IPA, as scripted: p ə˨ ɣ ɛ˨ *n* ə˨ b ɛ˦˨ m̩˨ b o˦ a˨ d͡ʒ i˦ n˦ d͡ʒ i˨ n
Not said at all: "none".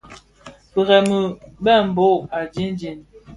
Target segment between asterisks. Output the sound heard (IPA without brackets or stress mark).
m